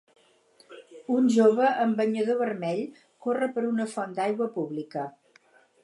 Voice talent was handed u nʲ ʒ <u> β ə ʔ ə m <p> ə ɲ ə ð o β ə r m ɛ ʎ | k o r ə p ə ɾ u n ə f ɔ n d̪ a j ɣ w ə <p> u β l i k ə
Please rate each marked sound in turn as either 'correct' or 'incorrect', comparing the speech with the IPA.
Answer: incorrect, incorrect, correct

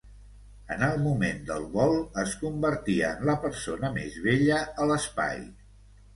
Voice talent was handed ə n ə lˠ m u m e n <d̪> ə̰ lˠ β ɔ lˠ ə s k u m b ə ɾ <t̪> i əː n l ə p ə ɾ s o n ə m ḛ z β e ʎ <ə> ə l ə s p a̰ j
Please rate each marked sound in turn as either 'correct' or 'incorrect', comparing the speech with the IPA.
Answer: correct, correct, correct

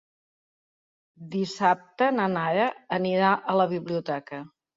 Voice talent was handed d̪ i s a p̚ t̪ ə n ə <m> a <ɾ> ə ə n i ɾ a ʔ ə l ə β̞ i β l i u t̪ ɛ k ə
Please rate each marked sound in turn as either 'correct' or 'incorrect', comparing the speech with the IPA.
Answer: incorrect, correct

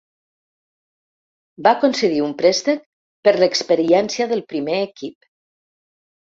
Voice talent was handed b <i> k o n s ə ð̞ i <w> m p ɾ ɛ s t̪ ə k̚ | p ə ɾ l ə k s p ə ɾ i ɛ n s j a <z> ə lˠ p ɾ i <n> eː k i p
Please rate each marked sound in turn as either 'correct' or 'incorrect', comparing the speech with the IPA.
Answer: incorrect, incorrect, incorrect, incorrect

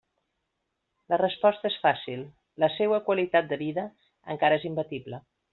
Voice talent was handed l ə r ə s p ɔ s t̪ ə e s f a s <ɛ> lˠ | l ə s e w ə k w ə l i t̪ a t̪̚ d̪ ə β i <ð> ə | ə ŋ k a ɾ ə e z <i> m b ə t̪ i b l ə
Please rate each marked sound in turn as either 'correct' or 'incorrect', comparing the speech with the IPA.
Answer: incorrect, correct, correct

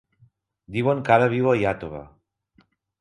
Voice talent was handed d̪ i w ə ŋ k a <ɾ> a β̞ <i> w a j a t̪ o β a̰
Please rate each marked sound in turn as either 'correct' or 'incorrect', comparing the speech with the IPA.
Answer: correct, correct

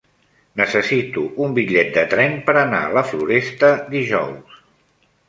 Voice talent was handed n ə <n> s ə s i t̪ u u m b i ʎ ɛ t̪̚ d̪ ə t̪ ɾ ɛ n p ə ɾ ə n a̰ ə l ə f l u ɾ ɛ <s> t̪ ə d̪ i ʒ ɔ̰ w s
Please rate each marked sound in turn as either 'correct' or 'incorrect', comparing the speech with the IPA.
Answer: incorrect, correct

